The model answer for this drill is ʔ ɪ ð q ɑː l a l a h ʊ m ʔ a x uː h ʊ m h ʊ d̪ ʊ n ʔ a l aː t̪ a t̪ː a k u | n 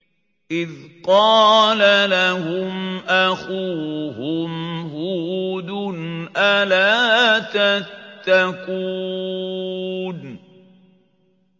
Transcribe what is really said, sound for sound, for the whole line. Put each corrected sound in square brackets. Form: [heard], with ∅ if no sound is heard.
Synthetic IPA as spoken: ʔ ɪ ð q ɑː l a l a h ʊ m ʔ a x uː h ʊ m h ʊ d̪ ʊ n ʔ a l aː t̪ a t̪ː a k u | n